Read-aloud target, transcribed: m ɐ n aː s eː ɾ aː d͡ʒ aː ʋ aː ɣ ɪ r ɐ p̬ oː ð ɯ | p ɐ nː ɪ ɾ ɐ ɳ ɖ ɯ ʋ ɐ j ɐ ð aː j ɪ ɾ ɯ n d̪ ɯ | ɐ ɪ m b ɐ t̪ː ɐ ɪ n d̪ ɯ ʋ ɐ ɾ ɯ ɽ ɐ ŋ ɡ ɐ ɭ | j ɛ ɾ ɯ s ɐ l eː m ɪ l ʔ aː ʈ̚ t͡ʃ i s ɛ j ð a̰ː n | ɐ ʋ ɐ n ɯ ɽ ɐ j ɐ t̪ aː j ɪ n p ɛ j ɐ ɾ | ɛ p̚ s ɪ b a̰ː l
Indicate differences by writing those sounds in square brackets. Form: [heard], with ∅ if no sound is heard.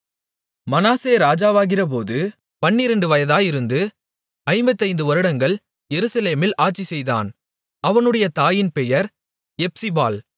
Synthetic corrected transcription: m ɐ n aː s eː ɾ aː d͡ʒ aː ʋ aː ɣ ɪ r ɐ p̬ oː ð ɯ | p ɐ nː ɪ ɾ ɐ ɳ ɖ ɯ ʋ ɐ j ɐ ð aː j ɪ ɾ ɯ n d̪ ɯ | ɐ ɪ m b ɐ t̪ː ɐ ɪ n d̪ ɯ ʋ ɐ ɾ ɯ ɽ ɐ ŋ ɡ ɐ ɭ | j ɛ ɾ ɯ s ɐ l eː m ɪ l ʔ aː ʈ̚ t͡ʃ i s ɛ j ð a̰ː n | ɐ ʋ ɐ n ɯ ɽ ɐ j ɐ t̪ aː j ɪ n p ɛ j ɐ ɾ | ɛ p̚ s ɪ b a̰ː l

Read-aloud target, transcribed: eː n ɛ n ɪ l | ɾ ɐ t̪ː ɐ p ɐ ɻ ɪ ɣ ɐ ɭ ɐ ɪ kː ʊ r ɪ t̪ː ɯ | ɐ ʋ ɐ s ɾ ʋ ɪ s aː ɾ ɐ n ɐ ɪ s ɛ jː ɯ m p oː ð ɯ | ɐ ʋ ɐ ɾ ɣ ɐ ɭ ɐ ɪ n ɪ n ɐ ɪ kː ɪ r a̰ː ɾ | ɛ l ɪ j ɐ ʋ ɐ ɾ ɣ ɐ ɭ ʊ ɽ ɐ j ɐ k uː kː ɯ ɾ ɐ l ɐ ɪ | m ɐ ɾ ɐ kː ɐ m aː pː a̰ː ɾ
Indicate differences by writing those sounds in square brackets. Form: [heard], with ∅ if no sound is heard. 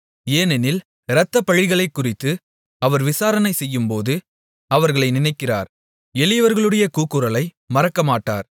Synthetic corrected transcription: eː n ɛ n ɪ l | ɾ ɐ t̪ː ɐ p ɐ ɻ ɪ ɣ ɐ ɭ ɐ ɪ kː ʊ r ɪ t̪ː ɯ | ɐ ʋ ɐ [∅] ɾ ʋ ɪ s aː ɾ ɐ n ɐ ɪ s ɛ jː ɯ m p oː ð ɯ | ɐ ʋ ɐ ɾ ɣ ɐ ɭ ɐ ɪ n ɪ n ɐ ɪ kː ɪ r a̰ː ɾ | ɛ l ɪ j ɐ ʋ ɐ ɾ ɣ ɐ ɭ [ɯ] ɽ ɐ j ɐ k uː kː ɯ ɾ ɐ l ɐ ɪ | m ɐ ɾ ɐ kː ɐ m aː [ʈː] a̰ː ɾ

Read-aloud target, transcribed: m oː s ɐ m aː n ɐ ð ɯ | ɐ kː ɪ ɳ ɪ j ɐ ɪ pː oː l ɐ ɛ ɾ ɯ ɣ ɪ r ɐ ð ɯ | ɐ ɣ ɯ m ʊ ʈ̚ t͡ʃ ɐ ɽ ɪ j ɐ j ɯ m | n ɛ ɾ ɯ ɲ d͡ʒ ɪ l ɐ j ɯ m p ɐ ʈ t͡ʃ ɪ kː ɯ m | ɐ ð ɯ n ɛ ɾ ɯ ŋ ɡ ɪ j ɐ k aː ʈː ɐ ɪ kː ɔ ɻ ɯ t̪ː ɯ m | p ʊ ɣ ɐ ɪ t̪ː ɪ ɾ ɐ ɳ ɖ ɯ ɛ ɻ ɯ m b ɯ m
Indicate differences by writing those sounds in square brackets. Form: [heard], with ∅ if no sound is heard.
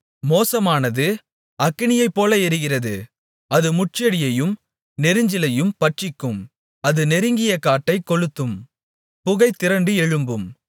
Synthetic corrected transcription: m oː s ɐ m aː n ɐ ð ɯ | ɐ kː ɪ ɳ ɪ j ɐ ɪ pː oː l ɐ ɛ ɾ ɯ ɣ ɪ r ɐ ð ɯ | ɐ [ð] ɯ m ʊ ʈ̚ t͡ʃ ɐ ɽ ɪ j ɐ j ɯ m | n ɛ ɾ ɯ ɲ d͡ʒ ɪ l ɐ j ɯ m p ɐ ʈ t͡ʃ ɪ kː ɯ m | ɐ ð ɯ n ɛ ɾ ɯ ŋ ɡ ɪ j ɐ k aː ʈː ɐ ɪ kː ɔ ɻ ɯ t̪ː ɯ m | p ʊ ɣ ɐ ɪ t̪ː ɪ ɾ ɐ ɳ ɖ ɯ ɛ ɻ ɯ m b ɯ m

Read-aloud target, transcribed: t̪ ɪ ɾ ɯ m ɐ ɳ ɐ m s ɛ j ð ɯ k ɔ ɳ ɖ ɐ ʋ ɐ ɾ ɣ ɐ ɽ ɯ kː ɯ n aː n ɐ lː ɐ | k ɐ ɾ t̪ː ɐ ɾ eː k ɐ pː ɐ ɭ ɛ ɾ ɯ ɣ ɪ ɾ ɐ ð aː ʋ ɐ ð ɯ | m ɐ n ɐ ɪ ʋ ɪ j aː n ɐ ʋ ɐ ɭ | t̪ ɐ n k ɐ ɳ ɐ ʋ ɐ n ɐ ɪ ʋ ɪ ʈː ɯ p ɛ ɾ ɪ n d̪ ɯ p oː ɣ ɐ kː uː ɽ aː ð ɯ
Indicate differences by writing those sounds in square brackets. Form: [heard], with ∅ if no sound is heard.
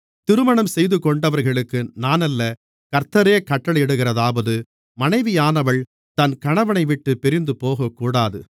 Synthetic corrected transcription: t̪ ɪ ɾ ɯ m ɐ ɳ ɐ m s ɛ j ð ɯ k ɔ ɳ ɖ ɐ ʋ ɐ ɾ ɣ ɐ [ɭ] ɯ kː ɯ n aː n ɐ lː ɐ | k ɐ ɾ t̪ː ɐ ɾ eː k ɐ [ʈː] ɐ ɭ ɛ [ɽ] ɯ ɣ ɪ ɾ ɐ ð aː ʋ ɐ ð ɯ | m ɐ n ɐ ɪ ʋ ɪ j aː n ɐ ʋ ɐ ɭ | t̪ ɐ n k ɐ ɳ ɐ ʋ ɐ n ɐ ɪ ʋ ɪ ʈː ɯ p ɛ ɾ ɪ n d̪ ɯ p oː ɣ ɐ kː uː ɽ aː ð ɯ

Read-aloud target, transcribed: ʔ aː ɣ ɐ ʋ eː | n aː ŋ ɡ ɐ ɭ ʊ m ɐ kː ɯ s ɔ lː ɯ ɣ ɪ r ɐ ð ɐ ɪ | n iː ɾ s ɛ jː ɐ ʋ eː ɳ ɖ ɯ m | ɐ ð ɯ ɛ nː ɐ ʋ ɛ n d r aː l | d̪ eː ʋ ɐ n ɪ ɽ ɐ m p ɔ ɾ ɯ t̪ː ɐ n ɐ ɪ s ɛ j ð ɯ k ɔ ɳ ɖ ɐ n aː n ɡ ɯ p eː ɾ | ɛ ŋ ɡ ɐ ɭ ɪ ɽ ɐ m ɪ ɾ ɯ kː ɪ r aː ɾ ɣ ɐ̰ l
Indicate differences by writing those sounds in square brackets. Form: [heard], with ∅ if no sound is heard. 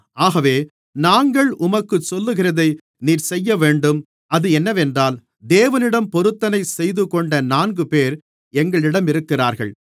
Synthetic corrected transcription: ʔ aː ɣ ɐ ʋ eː | n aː ŋ ɡ ɐ ɭ ʊ m ɐ kː ɯ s ɔ lː ɯ ɣ ɪ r ɐ ð ɐ ɪ | n iː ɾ s ɛ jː ɐ ʋ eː ɳ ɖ ɯ m | ɐ ð ɯ ɛ nː ɐ ʋ ɛ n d r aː l | d̪ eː ʋ ɐ n ɪ ɽ ɐ m p ɔ ɾ ɯ t̪ː ɐ n ɐ ɪ s ɛ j ð ɯ k ɔ ɳ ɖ ɐ n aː n ɡ ɯ p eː ɾ | ɛ ŋ ɡ ɐ ɭ ɪ ɽ ɐ m ɪ ɾ ɯ kː ɪ r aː ɾ ɣ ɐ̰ [ɭ]

